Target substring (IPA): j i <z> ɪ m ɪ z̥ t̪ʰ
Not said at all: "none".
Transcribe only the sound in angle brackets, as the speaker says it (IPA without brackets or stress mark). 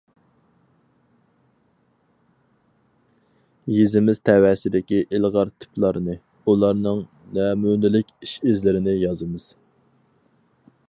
z